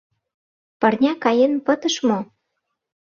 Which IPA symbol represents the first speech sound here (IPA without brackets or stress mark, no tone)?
p